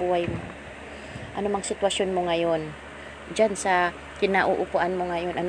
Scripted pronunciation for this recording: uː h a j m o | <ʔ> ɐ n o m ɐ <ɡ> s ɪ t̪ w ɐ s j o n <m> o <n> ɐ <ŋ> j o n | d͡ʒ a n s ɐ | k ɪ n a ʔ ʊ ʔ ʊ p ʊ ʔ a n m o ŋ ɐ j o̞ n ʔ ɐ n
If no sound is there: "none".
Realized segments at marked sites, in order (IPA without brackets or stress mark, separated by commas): ʔ, ŋ, m, ŋ, none